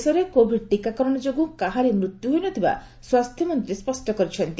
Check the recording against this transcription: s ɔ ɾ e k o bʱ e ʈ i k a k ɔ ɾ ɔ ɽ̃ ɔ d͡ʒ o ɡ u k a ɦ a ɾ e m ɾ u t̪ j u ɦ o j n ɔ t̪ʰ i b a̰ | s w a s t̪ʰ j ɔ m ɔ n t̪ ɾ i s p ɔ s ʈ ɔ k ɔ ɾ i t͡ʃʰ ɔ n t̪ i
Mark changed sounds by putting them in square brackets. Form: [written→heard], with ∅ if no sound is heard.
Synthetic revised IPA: s ɔ ɾ e k o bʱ [e→i] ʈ i k a k ɔ ɾ ɔ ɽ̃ ɔ d͡ʒ o ɡ u k a ɦ a ɾ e m ɾ u t̪ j u ɦ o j n ɔ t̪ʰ i b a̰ | s w a s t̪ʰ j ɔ m ɔ n t̪ ɾ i s p ɔ s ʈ ɔ k ɔ ɾ i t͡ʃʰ ɔ n t̪ i

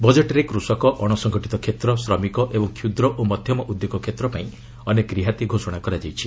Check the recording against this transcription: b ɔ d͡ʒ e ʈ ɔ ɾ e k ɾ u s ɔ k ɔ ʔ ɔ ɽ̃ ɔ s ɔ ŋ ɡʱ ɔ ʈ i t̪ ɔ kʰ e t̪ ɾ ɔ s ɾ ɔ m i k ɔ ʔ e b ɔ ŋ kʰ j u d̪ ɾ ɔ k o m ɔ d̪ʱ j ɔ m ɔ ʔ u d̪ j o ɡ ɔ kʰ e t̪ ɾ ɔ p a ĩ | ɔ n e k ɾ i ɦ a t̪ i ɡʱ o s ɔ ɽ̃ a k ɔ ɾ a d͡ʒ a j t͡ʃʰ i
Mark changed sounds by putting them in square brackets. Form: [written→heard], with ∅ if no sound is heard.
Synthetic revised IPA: b ɔ d͡ʒ e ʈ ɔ ɾ e k ɾ u s ɔ k ɔ ʔ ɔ ɽ̃ ɔ s ɔ ŋ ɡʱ ɔ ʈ i t̪ ɔ kʰ e t̪ ɾ ɔ s ɾ ɔ m i k ɔ ʔ e b ɔ ŋ kʰ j u d̪ ɾ ɔ [k→ʔ] o m ɔ d̪ʱ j ɔ m ɔ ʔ u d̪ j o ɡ ɔ kʰ e t̪ ɾ ɔ p a ĩ | ɔ n e k ɾ i ɦ a t̪ i ɡʱ o s ɔ ɽ̃ a k ɔ ɾ a d͡ʒ a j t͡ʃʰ i

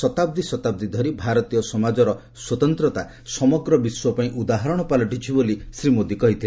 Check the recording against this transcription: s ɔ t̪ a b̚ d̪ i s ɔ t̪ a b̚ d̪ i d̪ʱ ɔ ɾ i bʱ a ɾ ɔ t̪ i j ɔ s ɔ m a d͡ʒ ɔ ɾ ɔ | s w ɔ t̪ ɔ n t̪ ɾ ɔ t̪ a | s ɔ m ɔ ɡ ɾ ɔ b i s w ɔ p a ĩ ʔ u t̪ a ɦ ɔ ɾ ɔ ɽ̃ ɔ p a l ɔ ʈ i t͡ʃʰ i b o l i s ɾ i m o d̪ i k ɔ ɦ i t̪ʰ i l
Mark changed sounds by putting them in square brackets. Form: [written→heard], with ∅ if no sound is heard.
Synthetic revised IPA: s ɔ t̪ a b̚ d̪ i s ɔ t̪ a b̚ d̪ i d̪ʱ ɔ ɾ i bʱ a ɾ ɔ t̪ i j ɔ s ɔ m a d͡ʒ ɔ ɾ ɔ | s w ɔ t̪ ɔ n t̪ ɾ ɔ t̪ a | s ɔ m ɔ ɡ ɾ ɔ b i s w ɔ p a ĩ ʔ u [t̪→d̪] a ɦ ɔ ɾ ɔ ɽ̃ ɔ p a l ɔ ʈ i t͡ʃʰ i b o l i s ɾ i m o d̪ i k ɔ ɦ i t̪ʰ i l

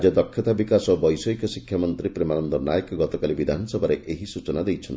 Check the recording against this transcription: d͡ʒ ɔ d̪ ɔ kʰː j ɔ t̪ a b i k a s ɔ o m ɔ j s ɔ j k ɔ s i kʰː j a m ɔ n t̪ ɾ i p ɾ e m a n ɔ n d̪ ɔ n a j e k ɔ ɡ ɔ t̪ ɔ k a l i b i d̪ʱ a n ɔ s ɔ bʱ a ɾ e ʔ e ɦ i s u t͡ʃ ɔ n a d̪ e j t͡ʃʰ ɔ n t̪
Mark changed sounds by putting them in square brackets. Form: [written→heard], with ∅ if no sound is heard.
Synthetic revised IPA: d͡ʒ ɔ d̪ ɔ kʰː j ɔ t̪ a b i k a s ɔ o [m→b] ɔ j s ɔ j k ɔ s i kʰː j a m ɔ n t̪ ɾ i p ɾ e m a n ɔ n d̪ ɔ n a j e k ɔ ɡ ɔ t̪ ɔ k a l i b i d̪ʱ a n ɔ s ɔ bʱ a ɾ e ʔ e ɦ i s u t͡ʃ ɔ n a d̪ e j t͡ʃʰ ɔ n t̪

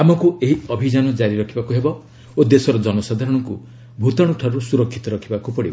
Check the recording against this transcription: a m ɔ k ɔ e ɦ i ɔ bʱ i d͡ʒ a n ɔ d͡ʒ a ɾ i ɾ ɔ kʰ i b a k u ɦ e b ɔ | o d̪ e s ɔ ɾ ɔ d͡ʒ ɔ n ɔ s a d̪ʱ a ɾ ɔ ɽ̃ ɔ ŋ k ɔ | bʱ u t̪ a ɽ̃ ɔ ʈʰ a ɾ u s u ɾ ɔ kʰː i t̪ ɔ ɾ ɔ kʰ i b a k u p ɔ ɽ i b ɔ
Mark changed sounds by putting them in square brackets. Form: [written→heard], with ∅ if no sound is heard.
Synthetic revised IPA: a m ɔ k [ɔ→u] e ɦ i ɔ bʱ i d͡ʒ a n ɔ d͡ʒ a ɾ i ɾ ɔ kʰ i b a k u ɦ e b ɔ | o d̪ e s ɔ ɾ ɔ d͡ʒ ɔ n ɔ s a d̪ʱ a ɾ ɔ ɽ̃ ɔ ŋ k [ɔ→u] | bʱ u t̪ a ɽ̃ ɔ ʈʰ a ɾ u s u ɾ ɔ kʰː i t̪ ɔ ɾ ɔ kʰ i b a k u p ɔ ɽ i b ɔ

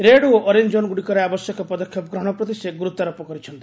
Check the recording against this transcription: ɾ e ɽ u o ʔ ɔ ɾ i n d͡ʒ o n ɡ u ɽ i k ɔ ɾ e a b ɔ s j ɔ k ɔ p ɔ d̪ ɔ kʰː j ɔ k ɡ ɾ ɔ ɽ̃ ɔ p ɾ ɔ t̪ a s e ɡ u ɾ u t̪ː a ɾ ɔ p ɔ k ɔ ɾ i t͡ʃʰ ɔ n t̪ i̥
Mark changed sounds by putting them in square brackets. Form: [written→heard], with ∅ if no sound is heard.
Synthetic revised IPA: ɾ e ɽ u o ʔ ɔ ɾ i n d͡ʒ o n ɡ u ɽ i k ɔ ɾ e a b ɔ s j ɔ k ɔ p ɔ d̪ ɔ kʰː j ɔ [k→p] ɡ ɾ ɔ ɽ̃ ɔ p ɾ ɔ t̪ [a→i] s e ɡ u ɾ u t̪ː a ɾ ɔ p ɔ k ɔ ɾ i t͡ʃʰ ɔ n t̪ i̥

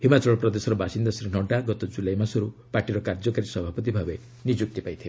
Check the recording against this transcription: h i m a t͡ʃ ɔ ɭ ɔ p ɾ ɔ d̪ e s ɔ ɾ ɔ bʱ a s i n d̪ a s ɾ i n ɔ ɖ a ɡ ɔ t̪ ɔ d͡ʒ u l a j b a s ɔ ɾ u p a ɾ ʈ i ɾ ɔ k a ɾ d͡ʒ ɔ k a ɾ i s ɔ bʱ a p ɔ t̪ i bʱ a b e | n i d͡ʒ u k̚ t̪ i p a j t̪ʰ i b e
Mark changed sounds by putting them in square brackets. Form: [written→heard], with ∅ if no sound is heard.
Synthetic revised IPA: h i m a t͡ʃ ɔ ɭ ɔ p ɾ ɔ d̪ e s ɔ ɾ ɔ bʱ a s i n d̪ a s ɾ i n ɔ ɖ a ɡ ɔ t̪ ɔ d͡ʒ u l a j [b→m] a s ɔ ɾ u p a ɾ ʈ i ɾ ɔ k a ɾ d͡ʒ ɔ k a ɾ i s ɔ bʱ a p ɔ t̪ i bʱ a b e | n i d͡ʒ u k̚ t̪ i p a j t̪ʰ i b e

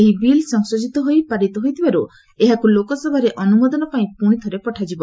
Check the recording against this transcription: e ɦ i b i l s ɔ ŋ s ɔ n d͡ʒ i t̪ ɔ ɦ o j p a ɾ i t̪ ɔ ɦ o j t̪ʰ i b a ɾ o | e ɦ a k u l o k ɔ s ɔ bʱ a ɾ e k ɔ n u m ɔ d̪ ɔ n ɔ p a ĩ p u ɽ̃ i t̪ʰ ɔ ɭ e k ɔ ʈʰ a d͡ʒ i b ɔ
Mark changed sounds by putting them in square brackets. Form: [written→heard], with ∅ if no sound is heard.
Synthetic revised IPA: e ɦ i b i l s ɔ ŋ s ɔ [n→∅] d͡ʒ i t̪ ɔ ɦ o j p a ɾ i t̪ ɔ ɦ o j t̪ʰ i b a ɾ [o→u] | e ɦ a k u l o k ɔ s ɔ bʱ a ɾ e [k→ʔ] ɔ n u m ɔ d̪ ɔ n ɔ p a ĩ p u ɽ̃ i t̪ʰ ɔ [ɭ→ɾ] e [k→p] ɔ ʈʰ a d͡ʒ i b ɔ

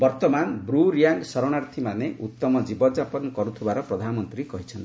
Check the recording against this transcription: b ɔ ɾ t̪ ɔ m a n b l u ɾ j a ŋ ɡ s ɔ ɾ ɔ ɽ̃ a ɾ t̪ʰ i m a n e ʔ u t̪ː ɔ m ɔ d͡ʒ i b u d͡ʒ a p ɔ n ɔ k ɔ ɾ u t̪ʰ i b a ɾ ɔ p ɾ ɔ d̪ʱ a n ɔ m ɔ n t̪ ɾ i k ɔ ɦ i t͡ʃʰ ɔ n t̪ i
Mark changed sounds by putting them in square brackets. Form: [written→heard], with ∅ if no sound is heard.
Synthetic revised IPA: b ɔ ɾ t̪ ɔ m a n b [l→ɾ] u ɾ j a ŋ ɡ s ɔ ɾ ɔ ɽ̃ a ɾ t̪ʰ i m a n e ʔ u t̪ː ɔ m ɔ d͡ʒ i b [u→ɔ] d͡ʒ a p ɔ n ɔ k ɔ ɾ u t̪ʰ i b a ɾ ɔ p ɾ ɔ d̪ʱ a n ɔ m ɔ n t̪ ɾ i k ɔ ɦ i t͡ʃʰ ɔ n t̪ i

